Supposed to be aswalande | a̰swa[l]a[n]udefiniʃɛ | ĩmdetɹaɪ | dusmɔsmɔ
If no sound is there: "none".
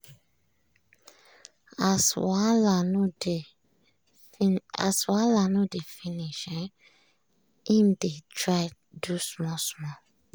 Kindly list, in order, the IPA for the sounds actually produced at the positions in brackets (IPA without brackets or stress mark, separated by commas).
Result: l, n